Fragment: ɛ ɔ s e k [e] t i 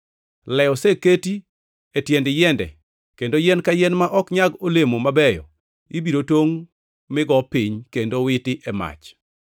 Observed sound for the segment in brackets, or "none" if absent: e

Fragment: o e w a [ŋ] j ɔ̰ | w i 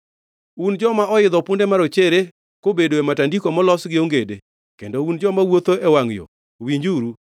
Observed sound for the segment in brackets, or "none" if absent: ŋ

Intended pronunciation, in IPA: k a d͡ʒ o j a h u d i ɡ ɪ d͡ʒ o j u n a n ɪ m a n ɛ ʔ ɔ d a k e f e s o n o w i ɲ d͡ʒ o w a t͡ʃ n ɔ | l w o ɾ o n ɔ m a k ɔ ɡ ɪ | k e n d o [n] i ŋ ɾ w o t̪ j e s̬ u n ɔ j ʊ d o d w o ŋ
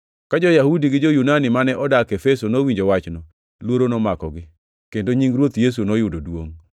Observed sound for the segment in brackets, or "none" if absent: ɲ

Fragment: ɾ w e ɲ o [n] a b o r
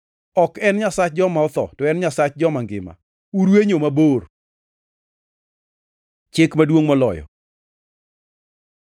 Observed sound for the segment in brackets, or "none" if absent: m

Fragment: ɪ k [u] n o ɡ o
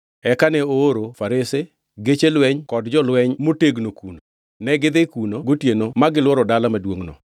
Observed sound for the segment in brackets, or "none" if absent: u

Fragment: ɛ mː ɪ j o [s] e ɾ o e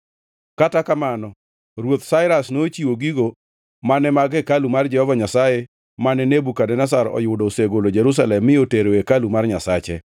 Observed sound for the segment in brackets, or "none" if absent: t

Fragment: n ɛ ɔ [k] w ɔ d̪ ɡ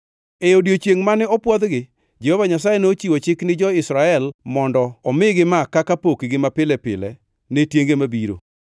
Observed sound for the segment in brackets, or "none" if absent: p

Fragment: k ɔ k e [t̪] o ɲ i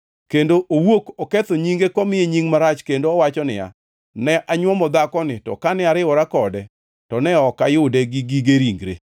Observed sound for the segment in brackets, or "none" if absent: t̪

